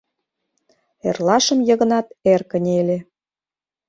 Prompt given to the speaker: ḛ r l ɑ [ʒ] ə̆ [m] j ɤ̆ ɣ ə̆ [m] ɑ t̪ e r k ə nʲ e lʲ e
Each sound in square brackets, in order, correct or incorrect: incorrect: ʃ, correct, incorrect: n

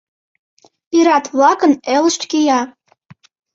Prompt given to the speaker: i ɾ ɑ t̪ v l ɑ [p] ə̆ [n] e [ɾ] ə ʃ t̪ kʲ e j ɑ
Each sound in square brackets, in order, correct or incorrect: incorrect: k, correct, incorrect: l

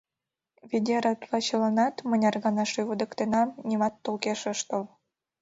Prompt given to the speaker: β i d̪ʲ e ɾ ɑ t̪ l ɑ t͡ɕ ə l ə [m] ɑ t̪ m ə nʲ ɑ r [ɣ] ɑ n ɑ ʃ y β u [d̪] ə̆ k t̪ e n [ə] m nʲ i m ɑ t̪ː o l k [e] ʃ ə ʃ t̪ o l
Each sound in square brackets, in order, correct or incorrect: incorrect: n, correct, correct, incorrect: ɑ, correct

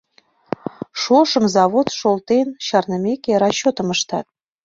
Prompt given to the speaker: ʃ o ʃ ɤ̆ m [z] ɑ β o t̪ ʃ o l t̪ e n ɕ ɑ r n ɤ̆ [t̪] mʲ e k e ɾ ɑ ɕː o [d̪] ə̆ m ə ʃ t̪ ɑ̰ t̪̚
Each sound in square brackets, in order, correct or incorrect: correct, incorrect: none, incorrect: t̪

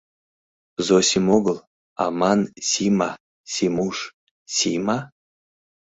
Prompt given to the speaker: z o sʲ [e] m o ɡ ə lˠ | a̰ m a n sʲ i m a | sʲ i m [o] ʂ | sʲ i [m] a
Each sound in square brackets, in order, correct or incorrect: incorrect: i, incorrect: u, correct

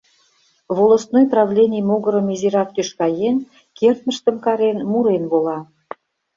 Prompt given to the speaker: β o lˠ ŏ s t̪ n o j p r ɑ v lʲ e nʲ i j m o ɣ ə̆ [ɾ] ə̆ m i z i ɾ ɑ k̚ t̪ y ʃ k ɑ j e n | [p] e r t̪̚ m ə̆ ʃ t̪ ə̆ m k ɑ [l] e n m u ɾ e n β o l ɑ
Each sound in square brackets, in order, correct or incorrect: correct, incorrect: k, incorrect: ɾ

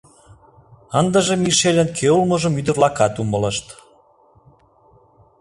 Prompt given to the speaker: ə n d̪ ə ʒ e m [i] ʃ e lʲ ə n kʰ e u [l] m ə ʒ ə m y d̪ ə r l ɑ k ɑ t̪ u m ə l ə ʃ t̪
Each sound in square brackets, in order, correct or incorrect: correct, correct

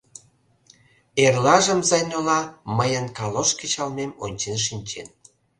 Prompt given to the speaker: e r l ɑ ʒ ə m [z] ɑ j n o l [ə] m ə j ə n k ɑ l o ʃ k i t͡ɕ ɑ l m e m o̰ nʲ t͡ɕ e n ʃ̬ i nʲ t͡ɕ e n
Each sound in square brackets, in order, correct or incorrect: correct, incorrect: ɑ

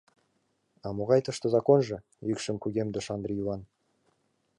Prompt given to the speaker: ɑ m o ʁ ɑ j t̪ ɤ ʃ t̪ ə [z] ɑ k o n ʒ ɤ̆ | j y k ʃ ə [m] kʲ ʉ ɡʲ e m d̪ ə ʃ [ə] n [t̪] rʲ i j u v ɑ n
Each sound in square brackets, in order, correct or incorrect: correct, correct, incorrect: ɑ, incorrect: d̪

